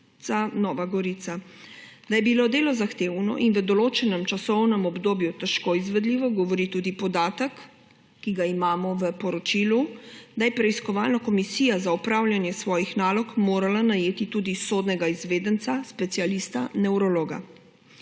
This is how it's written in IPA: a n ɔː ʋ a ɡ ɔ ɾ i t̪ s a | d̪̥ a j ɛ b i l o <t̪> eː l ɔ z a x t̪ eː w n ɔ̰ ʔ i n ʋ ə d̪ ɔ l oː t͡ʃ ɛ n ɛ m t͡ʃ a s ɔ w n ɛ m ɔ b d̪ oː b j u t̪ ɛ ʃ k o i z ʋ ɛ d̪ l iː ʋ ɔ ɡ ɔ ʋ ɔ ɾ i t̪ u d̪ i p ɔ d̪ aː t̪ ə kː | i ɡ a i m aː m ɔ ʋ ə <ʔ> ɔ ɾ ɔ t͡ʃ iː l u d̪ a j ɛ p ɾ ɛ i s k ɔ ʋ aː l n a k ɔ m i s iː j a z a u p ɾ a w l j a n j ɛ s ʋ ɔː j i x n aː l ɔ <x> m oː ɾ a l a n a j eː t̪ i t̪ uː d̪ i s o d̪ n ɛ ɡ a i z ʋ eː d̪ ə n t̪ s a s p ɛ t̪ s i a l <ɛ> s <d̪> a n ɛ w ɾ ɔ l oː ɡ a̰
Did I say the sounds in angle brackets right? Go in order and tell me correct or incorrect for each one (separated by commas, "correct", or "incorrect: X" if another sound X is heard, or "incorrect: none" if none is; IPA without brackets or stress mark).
incorrect: d̪, incorrect: p, incorrect: k, incorrect: i, incorrect: t̪